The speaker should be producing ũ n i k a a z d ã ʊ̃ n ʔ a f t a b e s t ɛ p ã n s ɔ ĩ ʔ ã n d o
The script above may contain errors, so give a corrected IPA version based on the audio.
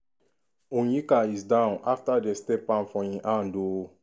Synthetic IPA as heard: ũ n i k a i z d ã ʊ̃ n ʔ a f t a d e s t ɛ p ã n f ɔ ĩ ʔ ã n d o